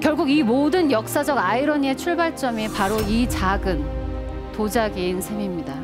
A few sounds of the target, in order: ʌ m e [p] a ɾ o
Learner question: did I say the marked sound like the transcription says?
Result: yes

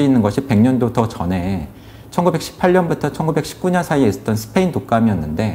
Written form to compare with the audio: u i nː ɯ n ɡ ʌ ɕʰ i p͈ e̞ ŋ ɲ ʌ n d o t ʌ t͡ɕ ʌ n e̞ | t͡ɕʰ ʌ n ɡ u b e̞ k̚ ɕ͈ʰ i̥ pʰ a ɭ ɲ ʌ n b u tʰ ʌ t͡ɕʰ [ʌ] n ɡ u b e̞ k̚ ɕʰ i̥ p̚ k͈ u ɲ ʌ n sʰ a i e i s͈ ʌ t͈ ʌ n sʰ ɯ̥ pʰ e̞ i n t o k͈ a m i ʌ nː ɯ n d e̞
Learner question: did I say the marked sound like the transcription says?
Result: yes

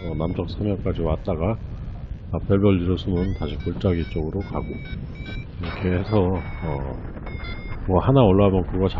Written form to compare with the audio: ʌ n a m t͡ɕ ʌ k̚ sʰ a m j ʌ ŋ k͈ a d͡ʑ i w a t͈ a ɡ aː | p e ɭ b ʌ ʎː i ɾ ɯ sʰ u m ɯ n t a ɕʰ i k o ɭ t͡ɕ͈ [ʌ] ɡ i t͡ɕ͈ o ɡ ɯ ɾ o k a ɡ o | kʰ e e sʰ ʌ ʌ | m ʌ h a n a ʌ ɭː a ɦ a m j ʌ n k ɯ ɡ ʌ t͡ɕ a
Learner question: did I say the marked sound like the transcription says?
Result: no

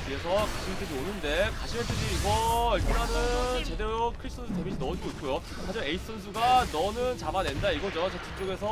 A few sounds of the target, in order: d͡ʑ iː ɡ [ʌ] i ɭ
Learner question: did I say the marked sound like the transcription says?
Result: yes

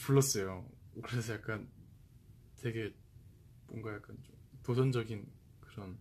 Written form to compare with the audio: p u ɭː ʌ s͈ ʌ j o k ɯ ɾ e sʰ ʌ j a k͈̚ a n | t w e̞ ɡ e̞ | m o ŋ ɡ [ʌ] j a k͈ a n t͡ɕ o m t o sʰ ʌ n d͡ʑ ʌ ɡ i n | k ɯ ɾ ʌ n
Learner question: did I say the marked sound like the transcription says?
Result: no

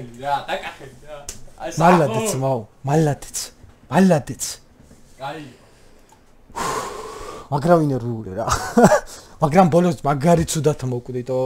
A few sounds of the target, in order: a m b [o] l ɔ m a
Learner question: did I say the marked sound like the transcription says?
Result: no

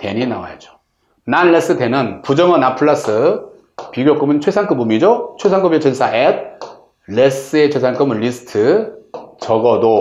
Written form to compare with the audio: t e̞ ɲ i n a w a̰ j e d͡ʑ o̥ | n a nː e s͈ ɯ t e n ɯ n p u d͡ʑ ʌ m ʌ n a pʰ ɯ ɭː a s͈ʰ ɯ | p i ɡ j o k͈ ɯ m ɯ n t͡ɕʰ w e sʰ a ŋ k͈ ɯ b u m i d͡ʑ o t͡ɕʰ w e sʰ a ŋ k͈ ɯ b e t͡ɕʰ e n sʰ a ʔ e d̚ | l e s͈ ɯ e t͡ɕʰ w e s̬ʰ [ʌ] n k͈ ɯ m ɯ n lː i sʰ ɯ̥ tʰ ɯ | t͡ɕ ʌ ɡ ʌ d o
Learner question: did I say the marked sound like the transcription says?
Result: no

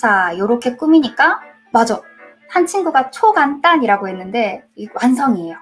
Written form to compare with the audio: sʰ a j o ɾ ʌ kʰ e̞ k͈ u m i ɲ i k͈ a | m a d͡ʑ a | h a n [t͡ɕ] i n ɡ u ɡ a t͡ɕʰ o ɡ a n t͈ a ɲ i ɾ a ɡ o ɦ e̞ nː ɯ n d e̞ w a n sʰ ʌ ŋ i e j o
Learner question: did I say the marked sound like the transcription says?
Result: no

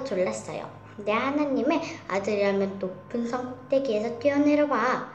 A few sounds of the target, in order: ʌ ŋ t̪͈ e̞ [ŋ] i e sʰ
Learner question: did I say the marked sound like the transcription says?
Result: no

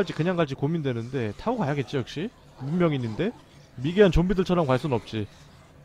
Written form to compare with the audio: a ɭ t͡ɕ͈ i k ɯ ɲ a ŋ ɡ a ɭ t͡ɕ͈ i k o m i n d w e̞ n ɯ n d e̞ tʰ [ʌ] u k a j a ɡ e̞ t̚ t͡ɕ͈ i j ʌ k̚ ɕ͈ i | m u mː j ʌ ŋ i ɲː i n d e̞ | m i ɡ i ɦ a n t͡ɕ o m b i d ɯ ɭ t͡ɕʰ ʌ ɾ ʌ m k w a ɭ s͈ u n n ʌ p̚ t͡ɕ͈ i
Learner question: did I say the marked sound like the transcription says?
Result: no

